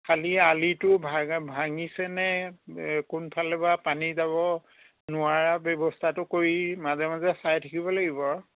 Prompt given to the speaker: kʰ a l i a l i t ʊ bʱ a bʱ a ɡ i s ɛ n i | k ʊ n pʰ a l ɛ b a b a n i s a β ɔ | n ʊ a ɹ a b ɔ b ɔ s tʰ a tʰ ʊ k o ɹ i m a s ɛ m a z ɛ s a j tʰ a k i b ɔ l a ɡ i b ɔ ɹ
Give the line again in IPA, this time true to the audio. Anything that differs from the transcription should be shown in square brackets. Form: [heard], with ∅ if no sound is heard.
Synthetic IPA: kʰ a l i a l i t ʊ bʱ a bʱ a [ŋ] i s ɛ n [ɛ] | k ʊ n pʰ a l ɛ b a [p] a n i [z] a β ɔ | n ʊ a ɹ a b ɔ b ɔ s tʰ a [t] ʊ k o ɹ i m a [z] ɛ m a z ɛ s a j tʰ a k i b ɔ l a ɡ i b ɔ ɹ